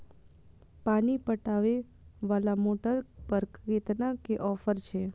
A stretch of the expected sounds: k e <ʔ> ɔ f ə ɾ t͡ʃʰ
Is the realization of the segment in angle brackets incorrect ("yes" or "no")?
no